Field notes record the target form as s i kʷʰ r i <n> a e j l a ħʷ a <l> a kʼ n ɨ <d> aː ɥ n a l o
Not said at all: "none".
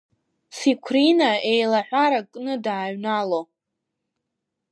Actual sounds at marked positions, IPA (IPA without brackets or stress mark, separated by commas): n, ɾ, d